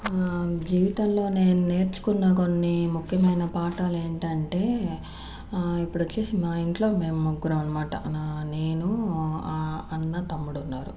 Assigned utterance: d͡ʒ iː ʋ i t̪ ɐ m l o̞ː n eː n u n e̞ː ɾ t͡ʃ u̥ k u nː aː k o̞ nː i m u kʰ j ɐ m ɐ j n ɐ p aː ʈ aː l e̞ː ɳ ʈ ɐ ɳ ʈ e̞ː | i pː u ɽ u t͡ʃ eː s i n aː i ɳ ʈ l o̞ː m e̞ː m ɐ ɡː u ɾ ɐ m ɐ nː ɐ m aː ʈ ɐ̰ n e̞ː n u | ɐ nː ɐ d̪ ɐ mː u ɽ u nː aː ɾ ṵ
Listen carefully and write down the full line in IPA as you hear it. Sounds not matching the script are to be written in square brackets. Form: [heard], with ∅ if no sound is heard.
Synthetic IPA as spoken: d͡ʒ iː ʋ i t̪ ɐ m l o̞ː n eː n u n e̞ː ɾ t͡ʃ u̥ k u nː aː k o̞ nː i m u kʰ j ɐ m ɐ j n ɐ p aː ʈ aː l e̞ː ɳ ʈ ɐ ɳ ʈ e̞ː | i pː u ɽ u t͡ʃ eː s i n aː i ɳ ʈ l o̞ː m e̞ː m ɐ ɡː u ɾ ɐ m ɐ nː ɐ m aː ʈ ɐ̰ n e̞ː n u | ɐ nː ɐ [t̪] ɐ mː u ɽ u nː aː ɾ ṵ